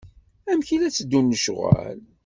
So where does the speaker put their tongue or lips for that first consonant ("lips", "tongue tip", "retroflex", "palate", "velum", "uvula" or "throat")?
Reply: lips